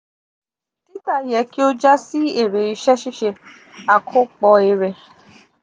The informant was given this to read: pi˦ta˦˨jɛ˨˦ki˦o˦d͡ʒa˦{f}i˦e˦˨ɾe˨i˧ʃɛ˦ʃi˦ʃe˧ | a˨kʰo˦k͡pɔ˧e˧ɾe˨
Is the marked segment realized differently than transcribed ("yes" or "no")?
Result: yes